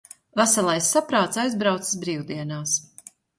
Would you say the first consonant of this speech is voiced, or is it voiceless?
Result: voiced